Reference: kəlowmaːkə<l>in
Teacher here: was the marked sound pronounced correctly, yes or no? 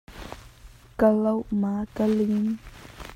yes